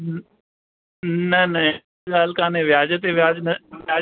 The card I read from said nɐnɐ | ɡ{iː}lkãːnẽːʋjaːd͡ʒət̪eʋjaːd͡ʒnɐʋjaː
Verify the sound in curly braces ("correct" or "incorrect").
incorrect